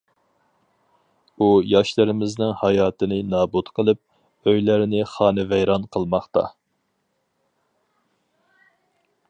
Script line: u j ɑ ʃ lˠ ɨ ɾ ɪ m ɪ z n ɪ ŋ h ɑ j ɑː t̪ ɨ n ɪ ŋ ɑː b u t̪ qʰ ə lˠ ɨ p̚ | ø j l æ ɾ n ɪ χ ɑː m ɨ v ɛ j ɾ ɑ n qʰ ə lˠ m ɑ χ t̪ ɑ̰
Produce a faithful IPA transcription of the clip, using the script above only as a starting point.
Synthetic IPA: u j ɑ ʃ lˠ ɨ ɾ ɪ m ɪ z n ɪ ŋ h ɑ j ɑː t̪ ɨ n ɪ n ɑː b u t̪ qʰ ə lˠ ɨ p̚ | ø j l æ ɾ n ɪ χ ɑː n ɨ v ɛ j ɾ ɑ n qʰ ə lˠ m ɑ χ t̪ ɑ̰